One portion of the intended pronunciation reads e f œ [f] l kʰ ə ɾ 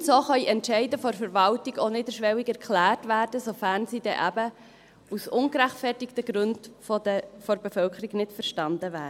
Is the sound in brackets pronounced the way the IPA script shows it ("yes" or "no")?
no